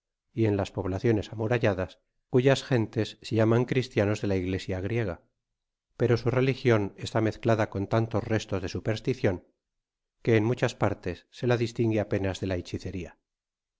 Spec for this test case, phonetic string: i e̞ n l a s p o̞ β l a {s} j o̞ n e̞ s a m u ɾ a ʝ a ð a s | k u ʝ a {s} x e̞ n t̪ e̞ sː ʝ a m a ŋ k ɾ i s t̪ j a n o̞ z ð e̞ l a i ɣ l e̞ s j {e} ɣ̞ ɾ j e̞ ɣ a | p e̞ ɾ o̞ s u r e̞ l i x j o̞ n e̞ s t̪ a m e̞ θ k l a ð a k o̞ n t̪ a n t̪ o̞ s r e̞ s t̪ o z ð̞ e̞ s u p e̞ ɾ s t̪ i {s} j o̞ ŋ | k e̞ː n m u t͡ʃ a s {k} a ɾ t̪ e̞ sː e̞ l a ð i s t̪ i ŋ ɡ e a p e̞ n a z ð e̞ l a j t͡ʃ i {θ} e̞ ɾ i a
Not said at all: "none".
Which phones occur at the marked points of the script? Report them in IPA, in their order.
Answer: θ, s, a, θ, p, θ

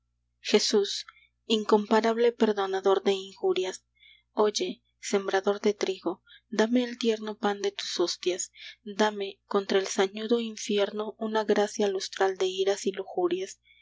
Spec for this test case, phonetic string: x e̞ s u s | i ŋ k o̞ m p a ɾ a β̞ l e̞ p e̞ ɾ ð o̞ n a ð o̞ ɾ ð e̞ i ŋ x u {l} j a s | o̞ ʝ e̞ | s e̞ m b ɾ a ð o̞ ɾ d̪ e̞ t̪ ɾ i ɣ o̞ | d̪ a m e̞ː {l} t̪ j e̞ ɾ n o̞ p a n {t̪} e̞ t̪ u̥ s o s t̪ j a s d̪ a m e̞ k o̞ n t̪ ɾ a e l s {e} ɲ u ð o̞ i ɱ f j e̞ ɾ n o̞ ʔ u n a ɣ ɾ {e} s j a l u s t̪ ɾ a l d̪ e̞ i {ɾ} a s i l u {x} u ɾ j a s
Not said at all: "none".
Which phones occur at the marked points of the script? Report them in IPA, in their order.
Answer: ɾ, l, d̪, a, a, ɾ, x

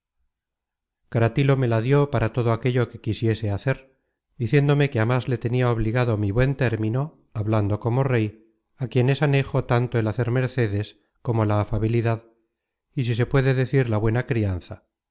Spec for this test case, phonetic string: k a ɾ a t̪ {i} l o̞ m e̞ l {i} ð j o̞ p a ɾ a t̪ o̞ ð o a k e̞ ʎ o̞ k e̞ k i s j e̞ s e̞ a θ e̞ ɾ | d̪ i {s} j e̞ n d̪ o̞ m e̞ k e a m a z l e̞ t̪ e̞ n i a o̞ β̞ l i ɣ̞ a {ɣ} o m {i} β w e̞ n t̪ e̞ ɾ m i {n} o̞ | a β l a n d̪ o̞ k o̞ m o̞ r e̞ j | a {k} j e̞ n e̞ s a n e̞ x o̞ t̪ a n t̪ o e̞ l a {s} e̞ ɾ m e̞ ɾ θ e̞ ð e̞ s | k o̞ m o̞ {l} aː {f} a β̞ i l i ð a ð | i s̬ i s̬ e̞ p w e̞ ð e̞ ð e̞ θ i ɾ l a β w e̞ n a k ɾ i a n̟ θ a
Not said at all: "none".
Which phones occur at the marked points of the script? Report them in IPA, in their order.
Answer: i, a, θ, ð, i, n, k, θ, l, f

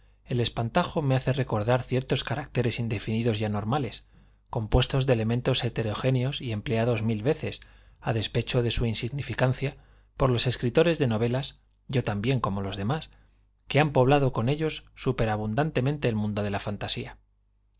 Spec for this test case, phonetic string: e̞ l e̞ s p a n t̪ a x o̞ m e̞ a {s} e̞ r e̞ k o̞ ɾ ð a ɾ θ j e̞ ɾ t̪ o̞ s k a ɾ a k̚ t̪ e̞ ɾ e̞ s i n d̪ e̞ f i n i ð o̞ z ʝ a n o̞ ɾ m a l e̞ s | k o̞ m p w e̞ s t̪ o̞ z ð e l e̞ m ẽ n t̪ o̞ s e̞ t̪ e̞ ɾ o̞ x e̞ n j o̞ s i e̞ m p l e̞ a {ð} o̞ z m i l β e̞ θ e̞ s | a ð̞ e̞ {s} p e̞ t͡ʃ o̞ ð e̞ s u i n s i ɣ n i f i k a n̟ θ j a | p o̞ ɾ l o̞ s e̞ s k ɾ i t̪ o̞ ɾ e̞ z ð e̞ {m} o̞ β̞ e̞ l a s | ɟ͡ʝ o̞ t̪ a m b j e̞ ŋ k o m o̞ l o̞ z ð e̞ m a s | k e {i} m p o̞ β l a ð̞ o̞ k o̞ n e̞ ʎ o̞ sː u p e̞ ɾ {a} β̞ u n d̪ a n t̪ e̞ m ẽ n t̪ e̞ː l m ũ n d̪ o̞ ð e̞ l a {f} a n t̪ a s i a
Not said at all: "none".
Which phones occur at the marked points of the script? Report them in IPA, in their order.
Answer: θ, ð, s, n, a, a, f

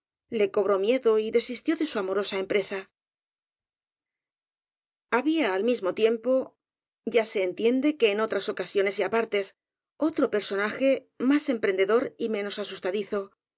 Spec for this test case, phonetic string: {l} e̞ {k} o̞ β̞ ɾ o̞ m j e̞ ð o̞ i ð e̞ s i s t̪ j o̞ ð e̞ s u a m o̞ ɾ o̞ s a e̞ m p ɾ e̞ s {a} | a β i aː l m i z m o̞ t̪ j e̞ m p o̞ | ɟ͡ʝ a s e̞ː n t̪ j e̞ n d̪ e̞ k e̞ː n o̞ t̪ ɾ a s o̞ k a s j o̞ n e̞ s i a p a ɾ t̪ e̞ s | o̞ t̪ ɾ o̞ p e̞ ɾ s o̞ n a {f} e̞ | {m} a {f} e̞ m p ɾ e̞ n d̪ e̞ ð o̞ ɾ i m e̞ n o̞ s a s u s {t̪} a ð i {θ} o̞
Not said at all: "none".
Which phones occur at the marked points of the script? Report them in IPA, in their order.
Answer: l, k, a, x, m, s, t̪, θ

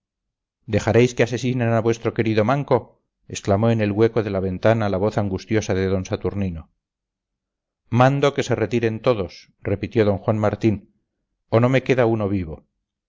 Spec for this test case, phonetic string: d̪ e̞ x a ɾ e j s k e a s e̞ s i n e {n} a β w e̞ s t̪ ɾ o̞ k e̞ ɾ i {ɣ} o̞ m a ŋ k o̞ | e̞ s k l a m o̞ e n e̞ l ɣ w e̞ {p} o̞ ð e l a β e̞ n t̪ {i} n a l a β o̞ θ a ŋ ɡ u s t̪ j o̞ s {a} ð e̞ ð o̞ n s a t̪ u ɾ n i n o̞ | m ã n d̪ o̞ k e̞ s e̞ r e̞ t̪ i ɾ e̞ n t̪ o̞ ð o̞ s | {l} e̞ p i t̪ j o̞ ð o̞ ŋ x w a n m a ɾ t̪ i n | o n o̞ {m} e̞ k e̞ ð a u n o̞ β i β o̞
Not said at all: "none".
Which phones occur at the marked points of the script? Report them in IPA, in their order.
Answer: n, ð, k, a, a, r, m

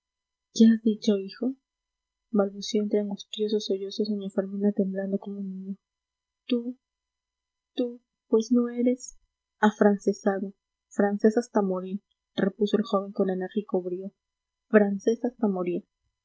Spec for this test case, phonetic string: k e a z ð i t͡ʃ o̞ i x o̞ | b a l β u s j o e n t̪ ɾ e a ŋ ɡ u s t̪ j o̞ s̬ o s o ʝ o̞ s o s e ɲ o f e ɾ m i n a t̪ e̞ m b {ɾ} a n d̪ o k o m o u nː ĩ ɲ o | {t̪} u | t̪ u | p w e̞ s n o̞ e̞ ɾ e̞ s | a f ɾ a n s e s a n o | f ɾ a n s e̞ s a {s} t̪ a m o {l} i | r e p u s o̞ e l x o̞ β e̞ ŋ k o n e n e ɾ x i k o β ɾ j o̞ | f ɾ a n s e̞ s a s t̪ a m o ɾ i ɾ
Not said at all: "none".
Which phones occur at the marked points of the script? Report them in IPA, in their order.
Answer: l, t̪, s, ɾ

